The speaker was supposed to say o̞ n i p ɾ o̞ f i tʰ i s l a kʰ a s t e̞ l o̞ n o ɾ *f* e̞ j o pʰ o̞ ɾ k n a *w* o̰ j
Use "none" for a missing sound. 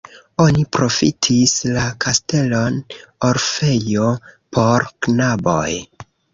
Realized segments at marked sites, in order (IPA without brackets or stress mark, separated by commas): f, b